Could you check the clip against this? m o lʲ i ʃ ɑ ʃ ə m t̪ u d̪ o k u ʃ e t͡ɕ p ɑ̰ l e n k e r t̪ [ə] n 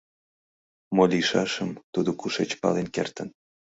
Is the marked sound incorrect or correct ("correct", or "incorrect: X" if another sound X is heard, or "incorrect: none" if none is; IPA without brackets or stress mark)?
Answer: correct